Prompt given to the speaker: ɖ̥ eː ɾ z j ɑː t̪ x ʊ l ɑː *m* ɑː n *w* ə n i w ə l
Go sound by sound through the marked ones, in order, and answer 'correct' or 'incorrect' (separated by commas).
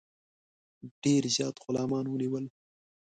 correct, correct